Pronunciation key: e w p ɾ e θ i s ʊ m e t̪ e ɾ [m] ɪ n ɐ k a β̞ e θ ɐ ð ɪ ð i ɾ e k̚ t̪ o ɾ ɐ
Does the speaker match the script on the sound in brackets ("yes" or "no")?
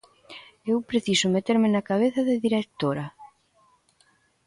yes